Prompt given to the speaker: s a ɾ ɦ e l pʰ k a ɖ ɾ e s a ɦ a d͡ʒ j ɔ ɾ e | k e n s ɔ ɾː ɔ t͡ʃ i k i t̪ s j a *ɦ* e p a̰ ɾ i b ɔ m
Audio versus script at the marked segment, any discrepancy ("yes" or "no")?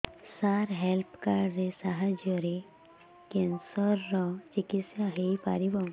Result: no